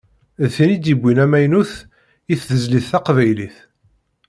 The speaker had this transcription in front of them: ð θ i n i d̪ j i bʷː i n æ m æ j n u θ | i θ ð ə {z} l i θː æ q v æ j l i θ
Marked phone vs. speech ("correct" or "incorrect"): correct